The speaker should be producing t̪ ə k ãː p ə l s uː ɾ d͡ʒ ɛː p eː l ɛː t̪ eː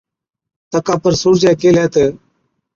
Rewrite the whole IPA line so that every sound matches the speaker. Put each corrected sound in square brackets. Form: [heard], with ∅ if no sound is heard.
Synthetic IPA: t̪ ə k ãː p ə [ɾ] s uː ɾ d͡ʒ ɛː [k] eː l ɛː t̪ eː